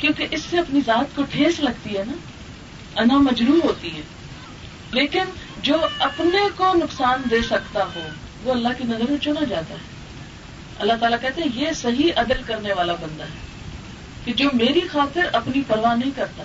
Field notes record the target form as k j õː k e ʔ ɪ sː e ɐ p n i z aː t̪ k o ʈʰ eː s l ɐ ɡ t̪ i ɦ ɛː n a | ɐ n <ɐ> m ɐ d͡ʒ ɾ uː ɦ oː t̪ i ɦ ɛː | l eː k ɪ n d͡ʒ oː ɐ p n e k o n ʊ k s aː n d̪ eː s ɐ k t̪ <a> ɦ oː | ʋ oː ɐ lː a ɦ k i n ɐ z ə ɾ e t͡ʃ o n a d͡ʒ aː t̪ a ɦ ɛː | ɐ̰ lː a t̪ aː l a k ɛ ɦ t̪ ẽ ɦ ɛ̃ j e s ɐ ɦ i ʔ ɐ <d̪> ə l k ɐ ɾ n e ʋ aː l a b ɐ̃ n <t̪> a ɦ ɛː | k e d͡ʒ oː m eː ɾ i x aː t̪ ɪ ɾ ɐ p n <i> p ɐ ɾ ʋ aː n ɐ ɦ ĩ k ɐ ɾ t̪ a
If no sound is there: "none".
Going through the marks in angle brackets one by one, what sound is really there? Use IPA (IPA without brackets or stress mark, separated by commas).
a, a, d̪, d̪, i